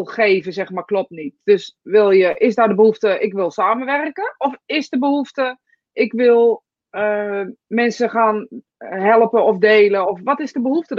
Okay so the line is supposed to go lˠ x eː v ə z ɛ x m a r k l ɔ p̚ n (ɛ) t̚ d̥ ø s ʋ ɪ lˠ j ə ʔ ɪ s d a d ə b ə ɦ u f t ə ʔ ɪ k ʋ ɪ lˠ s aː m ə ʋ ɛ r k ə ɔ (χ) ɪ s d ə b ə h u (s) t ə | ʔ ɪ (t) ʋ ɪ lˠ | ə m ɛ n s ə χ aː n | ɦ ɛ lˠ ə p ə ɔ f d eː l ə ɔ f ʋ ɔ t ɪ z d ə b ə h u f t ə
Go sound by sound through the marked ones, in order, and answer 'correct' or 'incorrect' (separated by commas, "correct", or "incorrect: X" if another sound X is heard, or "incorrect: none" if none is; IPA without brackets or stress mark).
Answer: incorrect: i, incorrect: f, incorrect: f, incorrect: k